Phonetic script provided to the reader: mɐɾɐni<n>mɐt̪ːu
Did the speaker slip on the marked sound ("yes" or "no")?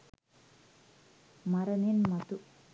no